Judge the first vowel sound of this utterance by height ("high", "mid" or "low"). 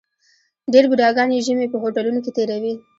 mid